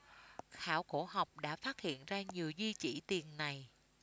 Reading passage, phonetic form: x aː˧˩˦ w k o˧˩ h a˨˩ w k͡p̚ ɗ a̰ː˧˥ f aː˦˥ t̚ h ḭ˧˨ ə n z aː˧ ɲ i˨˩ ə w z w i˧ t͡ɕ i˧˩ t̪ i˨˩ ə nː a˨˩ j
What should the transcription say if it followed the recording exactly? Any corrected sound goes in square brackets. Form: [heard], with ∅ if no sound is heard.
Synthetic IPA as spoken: x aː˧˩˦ w k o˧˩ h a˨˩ w k͡p̚ ɗ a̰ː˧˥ f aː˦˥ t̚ h ḭ˧˨ ə n z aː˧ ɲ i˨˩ ə w z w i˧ t͡ɕ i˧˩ t̪ i˨˩ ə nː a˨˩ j